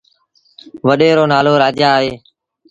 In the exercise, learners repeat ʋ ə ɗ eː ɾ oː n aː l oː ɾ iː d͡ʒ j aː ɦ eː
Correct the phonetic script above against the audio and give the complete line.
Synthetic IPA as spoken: ʋ ə ɗ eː ɾ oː n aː l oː ɾ aː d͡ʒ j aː ɦ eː